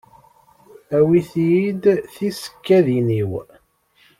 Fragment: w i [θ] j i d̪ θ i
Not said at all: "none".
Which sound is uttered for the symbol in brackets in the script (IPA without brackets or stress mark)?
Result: θ